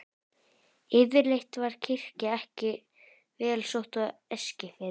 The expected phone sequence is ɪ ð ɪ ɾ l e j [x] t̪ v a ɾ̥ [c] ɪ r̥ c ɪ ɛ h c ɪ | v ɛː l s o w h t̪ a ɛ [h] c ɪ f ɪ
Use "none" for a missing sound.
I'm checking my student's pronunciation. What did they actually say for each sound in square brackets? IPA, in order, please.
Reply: h, cʰ, s

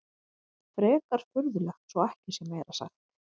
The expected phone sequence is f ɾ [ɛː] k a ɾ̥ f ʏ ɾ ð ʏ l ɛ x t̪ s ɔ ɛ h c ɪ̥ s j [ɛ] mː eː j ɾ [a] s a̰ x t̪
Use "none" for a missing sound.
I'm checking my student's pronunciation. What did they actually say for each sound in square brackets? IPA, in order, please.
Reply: ɛː, ɛ, a

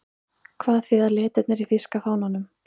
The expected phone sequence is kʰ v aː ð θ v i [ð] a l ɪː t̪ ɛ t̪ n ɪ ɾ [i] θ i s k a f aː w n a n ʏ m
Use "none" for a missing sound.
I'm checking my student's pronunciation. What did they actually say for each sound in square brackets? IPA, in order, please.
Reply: ð, i

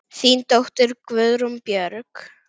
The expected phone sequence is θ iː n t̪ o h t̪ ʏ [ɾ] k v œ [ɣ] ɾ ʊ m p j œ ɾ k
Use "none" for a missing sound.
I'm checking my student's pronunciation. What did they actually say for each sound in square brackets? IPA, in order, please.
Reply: ɾ, ð

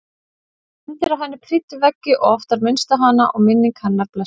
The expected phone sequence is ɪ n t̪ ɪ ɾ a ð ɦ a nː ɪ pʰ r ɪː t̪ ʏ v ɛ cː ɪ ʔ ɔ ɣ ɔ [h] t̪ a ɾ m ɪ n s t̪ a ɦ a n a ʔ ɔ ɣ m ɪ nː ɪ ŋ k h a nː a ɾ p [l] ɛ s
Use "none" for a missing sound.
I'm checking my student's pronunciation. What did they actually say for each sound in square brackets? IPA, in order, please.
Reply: f, l

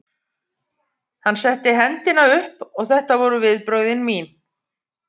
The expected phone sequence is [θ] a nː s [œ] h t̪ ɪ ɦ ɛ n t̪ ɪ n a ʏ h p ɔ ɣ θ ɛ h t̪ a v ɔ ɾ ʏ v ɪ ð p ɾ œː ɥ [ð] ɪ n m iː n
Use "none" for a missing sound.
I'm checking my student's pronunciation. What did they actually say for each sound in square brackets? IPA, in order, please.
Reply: h, ɛ, ð

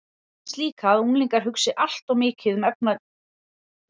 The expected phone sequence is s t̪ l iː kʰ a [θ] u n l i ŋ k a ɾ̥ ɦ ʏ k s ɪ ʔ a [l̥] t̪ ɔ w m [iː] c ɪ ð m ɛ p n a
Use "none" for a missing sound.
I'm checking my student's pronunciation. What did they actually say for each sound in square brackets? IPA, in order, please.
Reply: ð, l̥, ɪː

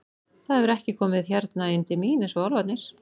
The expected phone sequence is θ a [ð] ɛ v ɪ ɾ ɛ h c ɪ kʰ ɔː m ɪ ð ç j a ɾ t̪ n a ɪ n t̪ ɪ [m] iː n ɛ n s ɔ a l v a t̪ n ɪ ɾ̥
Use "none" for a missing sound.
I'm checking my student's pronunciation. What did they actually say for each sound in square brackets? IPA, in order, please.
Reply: ð, m

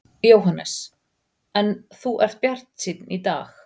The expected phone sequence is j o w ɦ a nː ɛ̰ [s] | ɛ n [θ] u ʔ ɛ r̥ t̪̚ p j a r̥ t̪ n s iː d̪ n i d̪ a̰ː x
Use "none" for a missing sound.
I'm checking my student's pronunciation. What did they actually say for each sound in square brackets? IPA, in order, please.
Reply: s, θ

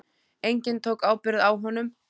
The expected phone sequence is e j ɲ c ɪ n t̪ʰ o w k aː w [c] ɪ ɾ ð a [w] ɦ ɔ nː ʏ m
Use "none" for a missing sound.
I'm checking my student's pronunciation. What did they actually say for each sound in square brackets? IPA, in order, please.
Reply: p, w

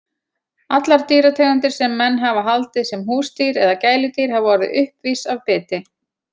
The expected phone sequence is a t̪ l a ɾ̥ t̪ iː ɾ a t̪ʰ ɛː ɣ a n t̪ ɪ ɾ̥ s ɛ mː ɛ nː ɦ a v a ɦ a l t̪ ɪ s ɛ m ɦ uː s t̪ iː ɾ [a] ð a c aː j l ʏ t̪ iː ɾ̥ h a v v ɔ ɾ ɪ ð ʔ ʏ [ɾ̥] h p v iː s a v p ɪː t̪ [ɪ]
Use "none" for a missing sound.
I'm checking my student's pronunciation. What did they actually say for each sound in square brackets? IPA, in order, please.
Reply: ɛ, none, ɪ

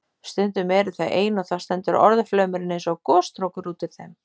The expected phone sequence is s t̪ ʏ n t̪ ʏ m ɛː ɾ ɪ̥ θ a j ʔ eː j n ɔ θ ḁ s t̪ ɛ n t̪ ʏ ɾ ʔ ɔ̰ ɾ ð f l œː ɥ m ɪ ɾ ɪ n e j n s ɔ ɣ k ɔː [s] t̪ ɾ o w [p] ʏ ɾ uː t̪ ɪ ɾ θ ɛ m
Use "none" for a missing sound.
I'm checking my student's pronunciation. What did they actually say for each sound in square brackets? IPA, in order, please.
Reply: s, k

